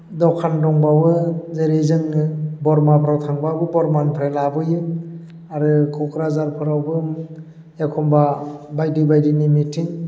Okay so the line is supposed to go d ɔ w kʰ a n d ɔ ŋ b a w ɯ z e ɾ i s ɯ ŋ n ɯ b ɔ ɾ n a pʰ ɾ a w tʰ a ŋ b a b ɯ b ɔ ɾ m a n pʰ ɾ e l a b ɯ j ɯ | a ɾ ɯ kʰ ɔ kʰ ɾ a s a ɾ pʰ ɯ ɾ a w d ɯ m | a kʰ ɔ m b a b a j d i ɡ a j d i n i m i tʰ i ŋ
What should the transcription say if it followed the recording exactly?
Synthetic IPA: d ɔ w kʰ a n d ɔ ŋ b a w ɯ z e ɾ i z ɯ ŋ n ɯ b ɔ ɾ m a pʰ ɾ a w tʰ a ŋ b a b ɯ b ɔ ɾ m a n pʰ ɾ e l a b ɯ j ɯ | a ɾ ɯ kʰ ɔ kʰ ɾ a z a ɾ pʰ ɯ ɾ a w b ɯ m | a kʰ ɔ m b a b a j d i b a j d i n i m i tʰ i ŋ